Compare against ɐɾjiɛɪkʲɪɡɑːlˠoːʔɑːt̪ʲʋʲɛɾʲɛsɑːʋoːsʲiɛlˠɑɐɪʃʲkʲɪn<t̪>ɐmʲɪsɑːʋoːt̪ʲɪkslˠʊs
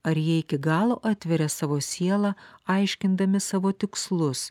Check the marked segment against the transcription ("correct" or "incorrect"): incorrect